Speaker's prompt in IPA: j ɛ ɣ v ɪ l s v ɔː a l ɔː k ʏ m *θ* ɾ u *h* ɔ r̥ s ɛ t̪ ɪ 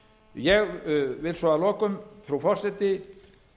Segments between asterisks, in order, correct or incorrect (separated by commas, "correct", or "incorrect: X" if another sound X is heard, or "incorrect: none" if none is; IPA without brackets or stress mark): correct, incorrect: f